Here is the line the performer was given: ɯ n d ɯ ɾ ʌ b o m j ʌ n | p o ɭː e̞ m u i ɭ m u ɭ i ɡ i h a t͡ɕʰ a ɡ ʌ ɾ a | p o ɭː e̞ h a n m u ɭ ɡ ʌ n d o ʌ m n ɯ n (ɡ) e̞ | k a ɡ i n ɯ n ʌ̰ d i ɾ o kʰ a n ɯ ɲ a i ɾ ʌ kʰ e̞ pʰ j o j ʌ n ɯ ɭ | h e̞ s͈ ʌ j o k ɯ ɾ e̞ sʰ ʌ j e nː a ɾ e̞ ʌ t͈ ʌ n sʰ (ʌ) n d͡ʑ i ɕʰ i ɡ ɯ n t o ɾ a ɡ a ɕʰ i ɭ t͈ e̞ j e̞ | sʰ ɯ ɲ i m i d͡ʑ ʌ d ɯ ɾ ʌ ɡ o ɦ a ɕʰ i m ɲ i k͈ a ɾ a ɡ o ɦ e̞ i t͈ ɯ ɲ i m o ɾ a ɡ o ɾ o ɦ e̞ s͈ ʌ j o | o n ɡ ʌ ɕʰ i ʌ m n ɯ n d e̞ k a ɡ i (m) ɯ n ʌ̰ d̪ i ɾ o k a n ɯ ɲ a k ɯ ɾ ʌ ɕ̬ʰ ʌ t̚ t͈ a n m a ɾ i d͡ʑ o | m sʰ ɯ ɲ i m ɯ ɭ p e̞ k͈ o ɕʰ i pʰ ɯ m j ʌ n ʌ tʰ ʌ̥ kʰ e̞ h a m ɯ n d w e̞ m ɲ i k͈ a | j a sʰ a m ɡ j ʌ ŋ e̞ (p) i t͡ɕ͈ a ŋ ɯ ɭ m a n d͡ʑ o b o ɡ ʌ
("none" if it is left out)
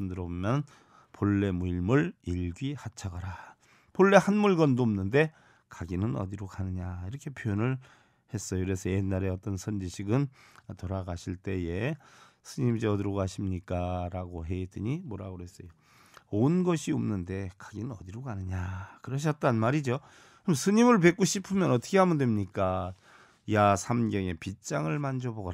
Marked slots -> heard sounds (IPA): d, ʌ, n, p

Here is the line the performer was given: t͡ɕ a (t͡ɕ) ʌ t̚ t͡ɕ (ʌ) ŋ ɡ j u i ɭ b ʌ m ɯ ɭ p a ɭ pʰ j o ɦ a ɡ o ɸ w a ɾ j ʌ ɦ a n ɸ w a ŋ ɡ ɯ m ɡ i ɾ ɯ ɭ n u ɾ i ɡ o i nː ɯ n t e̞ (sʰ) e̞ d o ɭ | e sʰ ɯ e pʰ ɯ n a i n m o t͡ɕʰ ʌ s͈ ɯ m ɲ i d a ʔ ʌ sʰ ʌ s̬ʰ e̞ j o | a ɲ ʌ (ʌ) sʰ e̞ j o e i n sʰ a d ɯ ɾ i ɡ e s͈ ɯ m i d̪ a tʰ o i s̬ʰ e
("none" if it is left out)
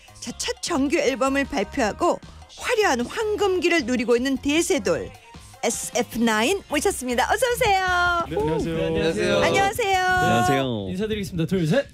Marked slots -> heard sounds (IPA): t͡ɕʰ, ʌ, sʰ, a

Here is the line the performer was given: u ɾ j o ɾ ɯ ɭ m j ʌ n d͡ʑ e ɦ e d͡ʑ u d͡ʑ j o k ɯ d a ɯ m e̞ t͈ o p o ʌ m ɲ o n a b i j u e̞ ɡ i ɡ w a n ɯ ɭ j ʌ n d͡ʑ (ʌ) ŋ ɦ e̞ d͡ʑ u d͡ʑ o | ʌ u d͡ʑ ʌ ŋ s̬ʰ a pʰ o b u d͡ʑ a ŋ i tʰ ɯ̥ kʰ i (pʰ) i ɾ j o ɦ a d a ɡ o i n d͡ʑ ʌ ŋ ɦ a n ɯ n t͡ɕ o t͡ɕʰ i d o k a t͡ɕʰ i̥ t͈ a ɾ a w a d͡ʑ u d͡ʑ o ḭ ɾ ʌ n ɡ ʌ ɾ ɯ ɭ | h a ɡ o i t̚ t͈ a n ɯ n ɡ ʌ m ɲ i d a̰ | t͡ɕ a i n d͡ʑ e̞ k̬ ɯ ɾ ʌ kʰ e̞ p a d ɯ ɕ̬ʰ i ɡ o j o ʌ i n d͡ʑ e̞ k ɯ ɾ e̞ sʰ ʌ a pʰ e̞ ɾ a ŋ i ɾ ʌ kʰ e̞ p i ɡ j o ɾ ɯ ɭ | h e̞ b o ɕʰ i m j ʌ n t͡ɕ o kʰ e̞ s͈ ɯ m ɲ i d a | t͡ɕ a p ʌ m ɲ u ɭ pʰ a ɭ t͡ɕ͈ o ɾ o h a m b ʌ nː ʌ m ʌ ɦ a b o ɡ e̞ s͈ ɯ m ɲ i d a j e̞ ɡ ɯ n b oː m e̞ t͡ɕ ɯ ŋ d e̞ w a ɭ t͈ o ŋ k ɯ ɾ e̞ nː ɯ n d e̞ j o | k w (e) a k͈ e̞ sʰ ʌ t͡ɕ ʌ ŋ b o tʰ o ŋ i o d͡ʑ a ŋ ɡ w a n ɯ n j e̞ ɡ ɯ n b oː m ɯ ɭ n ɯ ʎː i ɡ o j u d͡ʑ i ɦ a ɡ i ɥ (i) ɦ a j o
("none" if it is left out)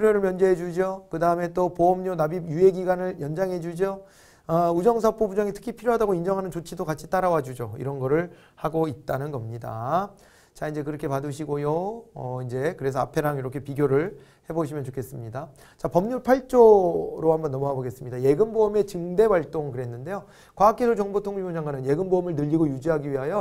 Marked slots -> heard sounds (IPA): a, pʰ, a, i

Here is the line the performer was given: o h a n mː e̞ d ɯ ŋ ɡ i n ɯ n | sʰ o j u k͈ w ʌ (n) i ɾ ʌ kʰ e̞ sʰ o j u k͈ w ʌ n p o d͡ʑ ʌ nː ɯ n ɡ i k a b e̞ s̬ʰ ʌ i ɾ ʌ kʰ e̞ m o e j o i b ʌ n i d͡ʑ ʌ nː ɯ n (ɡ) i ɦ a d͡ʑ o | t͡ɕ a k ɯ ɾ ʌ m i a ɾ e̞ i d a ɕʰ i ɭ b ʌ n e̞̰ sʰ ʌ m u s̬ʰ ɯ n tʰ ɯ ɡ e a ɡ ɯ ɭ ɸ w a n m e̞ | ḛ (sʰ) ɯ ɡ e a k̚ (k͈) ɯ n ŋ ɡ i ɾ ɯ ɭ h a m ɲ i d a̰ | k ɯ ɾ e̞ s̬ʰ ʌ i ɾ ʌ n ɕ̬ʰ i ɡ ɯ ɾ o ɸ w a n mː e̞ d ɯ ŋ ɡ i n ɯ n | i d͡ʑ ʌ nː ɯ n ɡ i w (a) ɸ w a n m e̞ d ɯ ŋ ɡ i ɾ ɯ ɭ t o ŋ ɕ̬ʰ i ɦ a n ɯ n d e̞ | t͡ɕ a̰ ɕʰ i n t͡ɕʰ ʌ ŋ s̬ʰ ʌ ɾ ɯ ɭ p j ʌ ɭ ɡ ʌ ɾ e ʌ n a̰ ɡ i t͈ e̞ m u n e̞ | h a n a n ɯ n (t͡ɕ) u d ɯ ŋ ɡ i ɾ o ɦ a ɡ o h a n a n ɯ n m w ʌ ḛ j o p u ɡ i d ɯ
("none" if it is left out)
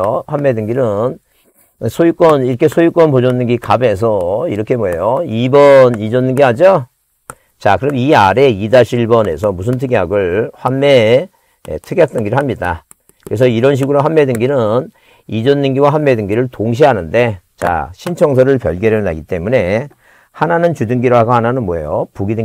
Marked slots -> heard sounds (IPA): n, ɡ, tʰ, t͈, a, t͡ɕ

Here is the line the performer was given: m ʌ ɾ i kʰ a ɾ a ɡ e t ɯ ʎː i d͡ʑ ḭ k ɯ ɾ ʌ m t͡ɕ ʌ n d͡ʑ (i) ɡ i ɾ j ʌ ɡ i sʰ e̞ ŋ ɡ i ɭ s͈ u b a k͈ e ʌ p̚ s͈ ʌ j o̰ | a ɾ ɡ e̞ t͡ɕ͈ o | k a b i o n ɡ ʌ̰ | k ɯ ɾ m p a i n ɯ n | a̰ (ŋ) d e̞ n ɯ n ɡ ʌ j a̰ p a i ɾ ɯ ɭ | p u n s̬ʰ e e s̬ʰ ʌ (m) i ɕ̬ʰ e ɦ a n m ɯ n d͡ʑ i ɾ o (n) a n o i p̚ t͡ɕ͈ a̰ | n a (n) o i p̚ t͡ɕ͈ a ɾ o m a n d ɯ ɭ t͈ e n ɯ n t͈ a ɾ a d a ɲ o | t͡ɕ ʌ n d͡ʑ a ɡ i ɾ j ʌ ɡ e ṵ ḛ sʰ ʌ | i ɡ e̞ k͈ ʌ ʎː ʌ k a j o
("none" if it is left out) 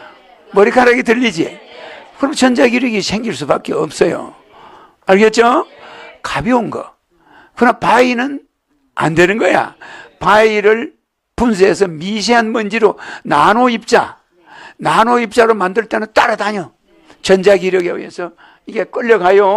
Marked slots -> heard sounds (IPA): a, n, m, n, n

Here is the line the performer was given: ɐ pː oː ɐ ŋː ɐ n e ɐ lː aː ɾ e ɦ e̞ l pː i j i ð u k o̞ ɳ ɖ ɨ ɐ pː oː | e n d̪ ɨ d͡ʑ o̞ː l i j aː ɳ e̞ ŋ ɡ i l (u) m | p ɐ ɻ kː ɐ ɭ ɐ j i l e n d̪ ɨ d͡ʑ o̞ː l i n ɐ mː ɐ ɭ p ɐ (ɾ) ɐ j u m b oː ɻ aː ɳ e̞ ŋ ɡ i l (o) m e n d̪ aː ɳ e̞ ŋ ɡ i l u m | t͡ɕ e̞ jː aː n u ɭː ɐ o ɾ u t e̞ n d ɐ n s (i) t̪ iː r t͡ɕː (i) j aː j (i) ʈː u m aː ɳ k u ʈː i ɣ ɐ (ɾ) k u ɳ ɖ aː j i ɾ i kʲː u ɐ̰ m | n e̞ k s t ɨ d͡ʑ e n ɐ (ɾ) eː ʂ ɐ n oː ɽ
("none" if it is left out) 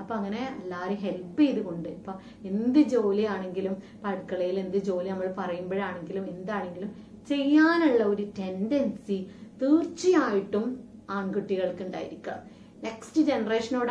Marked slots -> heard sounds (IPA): u, r, u, i, i, i, ɭ, r

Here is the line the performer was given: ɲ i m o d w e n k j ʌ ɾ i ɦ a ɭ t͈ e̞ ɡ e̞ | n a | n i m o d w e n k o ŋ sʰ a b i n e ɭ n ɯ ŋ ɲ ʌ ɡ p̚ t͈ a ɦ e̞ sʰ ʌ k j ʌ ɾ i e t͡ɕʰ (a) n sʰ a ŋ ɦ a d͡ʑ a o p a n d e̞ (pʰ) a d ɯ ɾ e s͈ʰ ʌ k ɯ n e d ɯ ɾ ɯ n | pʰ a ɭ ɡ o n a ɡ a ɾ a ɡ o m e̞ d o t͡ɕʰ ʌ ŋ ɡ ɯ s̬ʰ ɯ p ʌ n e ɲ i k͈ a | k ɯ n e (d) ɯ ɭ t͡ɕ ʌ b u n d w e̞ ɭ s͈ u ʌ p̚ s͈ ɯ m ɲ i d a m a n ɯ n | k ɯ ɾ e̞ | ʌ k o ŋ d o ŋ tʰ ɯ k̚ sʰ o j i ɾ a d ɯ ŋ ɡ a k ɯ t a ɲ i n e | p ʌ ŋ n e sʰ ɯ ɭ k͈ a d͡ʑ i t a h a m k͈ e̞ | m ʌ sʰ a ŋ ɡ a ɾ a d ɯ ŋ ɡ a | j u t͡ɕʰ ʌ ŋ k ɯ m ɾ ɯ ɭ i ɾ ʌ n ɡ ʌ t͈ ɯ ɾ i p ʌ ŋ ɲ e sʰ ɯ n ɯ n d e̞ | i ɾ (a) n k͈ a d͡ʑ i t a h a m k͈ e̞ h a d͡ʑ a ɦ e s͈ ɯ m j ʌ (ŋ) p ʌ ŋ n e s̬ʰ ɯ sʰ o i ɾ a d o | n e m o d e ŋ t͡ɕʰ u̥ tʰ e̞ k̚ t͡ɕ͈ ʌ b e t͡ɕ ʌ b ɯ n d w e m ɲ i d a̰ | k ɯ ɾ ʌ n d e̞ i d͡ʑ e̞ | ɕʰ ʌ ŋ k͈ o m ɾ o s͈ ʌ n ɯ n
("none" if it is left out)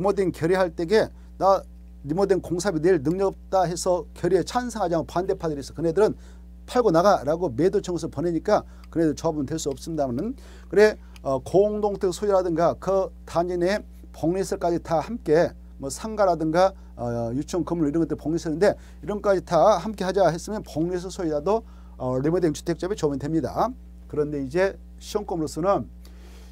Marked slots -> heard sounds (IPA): a, pʰ, d, ʌ, n

